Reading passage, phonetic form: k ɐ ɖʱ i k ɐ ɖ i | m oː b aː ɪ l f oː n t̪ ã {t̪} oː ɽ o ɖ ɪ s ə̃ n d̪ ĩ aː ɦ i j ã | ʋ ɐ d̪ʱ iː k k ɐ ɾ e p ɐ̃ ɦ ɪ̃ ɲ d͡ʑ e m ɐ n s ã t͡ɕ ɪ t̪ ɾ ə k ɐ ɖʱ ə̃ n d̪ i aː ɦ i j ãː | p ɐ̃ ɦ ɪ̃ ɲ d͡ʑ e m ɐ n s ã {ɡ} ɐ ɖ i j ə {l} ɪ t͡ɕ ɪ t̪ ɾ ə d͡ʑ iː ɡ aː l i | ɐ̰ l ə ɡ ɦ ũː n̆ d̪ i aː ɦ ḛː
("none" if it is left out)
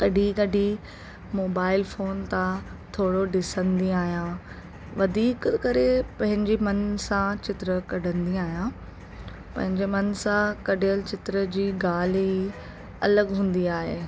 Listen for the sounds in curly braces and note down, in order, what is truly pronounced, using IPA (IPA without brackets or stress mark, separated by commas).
t̪ʰ, k, l